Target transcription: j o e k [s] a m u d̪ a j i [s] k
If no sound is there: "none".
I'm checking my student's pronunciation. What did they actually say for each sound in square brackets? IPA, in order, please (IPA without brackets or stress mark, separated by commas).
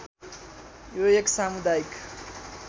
s, none